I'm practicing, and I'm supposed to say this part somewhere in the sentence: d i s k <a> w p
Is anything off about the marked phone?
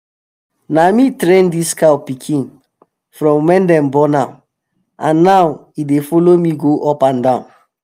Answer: no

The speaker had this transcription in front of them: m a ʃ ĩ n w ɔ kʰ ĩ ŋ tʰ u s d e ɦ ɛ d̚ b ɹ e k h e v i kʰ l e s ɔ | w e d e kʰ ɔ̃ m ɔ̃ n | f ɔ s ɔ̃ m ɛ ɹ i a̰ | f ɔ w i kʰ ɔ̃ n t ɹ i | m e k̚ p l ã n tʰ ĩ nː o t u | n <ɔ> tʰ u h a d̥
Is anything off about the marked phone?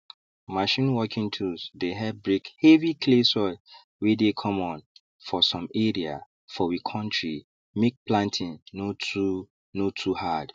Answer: yes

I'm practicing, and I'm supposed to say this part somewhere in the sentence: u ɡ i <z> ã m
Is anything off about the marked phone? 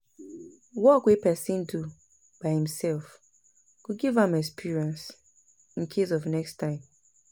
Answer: yes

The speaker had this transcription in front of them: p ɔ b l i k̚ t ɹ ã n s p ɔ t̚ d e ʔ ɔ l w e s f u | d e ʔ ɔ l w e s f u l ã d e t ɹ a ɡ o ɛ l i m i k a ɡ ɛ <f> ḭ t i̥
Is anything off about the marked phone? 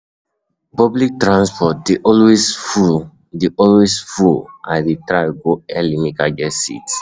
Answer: yes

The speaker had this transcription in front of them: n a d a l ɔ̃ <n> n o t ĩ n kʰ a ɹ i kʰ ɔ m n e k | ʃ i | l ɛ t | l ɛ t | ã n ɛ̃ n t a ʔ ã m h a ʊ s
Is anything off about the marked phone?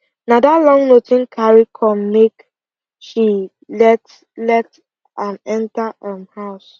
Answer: yes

